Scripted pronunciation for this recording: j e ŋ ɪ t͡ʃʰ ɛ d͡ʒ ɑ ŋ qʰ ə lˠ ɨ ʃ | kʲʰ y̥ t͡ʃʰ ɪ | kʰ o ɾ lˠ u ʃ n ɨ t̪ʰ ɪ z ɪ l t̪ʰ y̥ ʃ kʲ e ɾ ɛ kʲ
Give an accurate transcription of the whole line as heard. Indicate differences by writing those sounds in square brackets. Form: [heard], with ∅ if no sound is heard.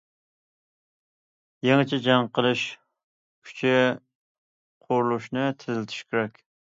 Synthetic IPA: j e ŋ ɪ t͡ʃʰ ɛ d͡ʒ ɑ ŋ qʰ ə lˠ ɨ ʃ | kʲʰ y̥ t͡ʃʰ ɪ | [qʰ] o ɾ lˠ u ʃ n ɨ t̪ʰ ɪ z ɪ l t̪ʰ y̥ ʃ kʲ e ɾ ɛ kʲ